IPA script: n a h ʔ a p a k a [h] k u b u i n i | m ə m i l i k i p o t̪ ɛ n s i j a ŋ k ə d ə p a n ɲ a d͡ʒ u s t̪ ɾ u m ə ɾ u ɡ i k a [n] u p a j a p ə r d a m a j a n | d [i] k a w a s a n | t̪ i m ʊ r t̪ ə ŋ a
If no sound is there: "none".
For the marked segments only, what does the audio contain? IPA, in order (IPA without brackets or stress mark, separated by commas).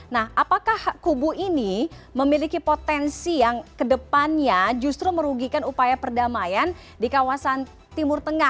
h, n, i